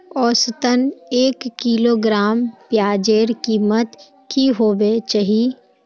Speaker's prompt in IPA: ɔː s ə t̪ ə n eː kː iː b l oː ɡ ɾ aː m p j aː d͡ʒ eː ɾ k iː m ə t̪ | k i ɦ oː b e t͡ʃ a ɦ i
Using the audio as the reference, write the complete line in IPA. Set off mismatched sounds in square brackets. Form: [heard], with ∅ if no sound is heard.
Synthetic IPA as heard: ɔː s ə t̪ ə n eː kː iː [∅] l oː ɡ ɾ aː m p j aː d͡ʒ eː ɾ k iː m ə t̪ | k i ɦ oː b e t͡ʃ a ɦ i